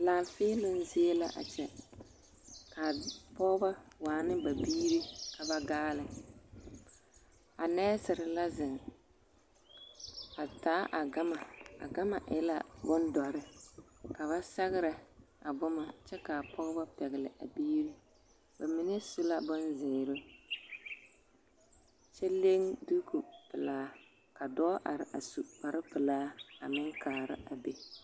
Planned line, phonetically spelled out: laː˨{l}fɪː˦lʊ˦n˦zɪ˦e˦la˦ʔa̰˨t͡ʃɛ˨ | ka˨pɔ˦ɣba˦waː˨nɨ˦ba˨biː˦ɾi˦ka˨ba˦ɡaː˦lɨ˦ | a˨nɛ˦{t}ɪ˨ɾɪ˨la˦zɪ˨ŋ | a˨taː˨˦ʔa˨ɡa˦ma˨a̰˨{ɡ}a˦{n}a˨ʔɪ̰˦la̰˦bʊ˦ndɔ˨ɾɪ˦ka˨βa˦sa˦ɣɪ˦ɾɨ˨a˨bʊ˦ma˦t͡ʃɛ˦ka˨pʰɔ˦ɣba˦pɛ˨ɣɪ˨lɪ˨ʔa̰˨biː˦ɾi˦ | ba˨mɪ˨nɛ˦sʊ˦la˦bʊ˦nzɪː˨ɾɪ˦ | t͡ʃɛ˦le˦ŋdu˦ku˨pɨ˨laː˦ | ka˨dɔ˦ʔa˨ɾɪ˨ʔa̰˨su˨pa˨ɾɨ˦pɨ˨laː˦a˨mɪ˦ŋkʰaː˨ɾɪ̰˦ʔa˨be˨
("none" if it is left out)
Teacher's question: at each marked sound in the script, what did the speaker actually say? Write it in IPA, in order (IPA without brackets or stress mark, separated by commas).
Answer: l, s, ɡ, m